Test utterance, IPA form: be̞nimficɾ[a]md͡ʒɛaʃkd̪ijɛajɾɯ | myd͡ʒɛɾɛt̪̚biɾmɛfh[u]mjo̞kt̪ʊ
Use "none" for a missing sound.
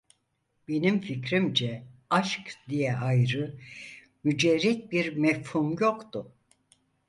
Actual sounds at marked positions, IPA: i, u

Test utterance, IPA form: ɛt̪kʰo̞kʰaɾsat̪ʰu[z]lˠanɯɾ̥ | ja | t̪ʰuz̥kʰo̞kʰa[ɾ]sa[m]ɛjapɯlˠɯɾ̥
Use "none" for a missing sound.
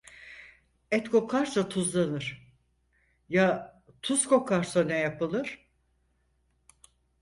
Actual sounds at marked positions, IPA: z, ɾ, n

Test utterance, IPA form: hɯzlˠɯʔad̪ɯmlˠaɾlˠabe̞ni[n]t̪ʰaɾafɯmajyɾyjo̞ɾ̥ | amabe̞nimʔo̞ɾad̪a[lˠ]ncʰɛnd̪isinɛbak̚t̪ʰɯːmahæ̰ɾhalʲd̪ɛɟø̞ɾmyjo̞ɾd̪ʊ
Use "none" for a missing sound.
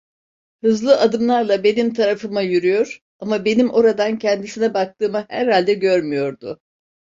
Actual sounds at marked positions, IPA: m, none

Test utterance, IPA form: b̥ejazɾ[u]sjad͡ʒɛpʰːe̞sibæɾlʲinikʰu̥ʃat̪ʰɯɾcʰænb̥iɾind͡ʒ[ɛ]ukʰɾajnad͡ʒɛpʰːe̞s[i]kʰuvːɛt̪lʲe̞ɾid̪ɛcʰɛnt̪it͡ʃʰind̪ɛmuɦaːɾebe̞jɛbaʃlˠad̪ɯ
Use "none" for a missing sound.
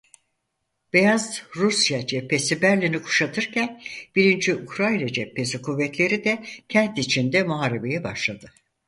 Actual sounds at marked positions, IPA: u, i, i

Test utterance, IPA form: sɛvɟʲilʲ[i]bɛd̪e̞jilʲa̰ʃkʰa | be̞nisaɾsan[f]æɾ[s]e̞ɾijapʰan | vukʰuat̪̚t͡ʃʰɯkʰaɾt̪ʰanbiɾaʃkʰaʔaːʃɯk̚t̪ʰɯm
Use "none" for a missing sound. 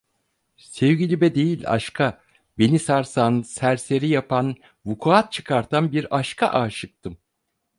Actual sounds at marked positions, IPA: i, s, s

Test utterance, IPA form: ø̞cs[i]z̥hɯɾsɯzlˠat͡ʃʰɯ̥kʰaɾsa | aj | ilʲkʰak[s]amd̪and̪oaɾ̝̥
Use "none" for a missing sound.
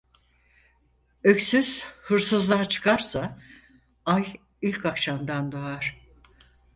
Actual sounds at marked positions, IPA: y, ʃ

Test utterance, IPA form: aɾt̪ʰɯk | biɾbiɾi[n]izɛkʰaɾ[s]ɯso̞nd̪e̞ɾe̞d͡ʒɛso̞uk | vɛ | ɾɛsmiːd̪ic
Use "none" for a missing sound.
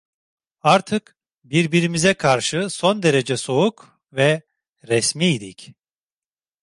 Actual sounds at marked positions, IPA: m, ʃ

